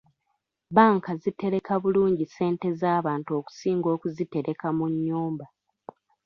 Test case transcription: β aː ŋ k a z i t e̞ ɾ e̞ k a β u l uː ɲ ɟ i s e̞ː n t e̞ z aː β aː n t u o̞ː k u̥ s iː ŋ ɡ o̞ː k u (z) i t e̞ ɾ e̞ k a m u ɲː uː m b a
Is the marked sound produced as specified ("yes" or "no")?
yes